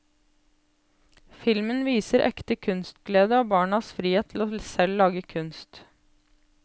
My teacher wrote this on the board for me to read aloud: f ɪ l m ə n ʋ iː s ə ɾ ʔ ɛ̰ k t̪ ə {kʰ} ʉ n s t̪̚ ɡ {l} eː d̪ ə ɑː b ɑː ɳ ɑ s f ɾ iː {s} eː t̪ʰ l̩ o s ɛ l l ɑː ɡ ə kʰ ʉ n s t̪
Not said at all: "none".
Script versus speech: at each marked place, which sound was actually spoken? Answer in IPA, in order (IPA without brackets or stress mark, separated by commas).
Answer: kʰ, l, h